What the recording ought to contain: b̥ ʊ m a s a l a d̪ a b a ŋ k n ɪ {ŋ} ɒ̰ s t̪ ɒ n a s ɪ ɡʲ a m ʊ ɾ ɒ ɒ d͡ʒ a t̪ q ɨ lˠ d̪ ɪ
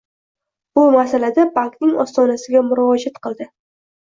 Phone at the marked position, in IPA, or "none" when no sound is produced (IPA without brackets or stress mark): ŋ